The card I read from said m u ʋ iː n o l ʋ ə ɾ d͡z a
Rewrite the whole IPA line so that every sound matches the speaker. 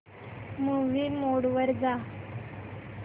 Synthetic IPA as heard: m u ʋ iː m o ɽ ʋ ə ɾ d͡z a